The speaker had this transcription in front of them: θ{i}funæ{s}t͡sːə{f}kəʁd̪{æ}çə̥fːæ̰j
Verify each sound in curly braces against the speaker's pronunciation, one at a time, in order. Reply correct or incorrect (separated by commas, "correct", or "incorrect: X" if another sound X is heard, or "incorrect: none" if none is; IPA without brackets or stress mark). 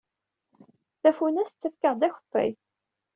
incorrect: æ, correct, correct, correct